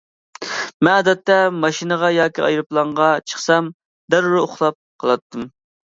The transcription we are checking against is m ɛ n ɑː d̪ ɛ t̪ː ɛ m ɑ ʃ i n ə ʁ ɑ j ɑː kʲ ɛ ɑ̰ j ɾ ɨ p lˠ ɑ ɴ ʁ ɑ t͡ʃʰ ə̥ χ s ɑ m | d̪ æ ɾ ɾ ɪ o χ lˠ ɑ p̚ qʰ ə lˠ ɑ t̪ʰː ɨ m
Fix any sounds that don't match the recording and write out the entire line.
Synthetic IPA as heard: m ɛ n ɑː d̪ ɛ t̪ː ɛ m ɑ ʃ i n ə ʁ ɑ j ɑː kʲ i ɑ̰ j ɾ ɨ p lˠ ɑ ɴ ʁ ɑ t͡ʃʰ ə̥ χ s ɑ m | d̪ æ ɾ ɾ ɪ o χ lˠ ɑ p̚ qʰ ə lˠ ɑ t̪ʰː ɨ m